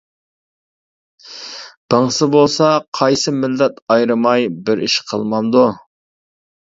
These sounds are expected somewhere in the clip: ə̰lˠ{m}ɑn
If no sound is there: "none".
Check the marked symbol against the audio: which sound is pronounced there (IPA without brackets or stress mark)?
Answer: m